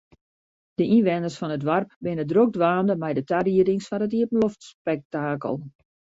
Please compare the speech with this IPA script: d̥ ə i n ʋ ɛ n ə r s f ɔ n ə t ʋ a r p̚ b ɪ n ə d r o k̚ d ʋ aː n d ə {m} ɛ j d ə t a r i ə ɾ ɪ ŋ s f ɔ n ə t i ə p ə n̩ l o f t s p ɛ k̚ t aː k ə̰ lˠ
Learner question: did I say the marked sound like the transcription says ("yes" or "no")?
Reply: yes